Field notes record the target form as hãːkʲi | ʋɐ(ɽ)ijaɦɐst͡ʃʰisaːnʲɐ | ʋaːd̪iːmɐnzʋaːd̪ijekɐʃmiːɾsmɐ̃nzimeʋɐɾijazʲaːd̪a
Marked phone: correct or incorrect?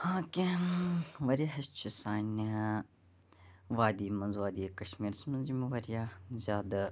incorrect